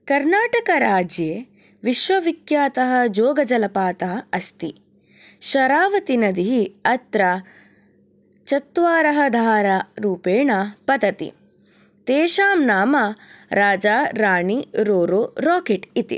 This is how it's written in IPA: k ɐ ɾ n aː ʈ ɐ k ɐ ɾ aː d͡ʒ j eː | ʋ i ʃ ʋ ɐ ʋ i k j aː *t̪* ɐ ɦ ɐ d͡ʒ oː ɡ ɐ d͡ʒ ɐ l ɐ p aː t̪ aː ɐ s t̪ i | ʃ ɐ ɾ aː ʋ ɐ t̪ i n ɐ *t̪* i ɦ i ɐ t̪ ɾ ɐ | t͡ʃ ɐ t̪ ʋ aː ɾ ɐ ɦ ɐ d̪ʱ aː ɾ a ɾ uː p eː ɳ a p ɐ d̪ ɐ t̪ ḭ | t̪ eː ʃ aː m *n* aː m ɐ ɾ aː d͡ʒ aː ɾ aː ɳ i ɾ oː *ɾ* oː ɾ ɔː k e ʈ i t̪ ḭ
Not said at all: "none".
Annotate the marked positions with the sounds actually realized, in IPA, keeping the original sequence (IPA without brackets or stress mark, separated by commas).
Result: t̪, d̪, n, ɾ